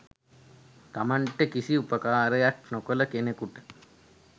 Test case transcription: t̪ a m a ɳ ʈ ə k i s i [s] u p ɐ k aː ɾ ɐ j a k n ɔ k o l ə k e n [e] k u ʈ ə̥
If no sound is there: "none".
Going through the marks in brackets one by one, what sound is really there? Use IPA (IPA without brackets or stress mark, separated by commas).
none, e